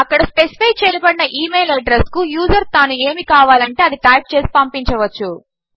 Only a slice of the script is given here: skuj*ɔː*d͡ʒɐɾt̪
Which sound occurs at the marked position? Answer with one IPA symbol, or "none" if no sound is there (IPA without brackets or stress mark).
uː